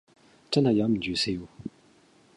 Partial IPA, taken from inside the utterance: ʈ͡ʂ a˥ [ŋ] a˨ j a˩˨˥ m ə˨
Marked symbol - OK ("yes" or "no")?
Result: no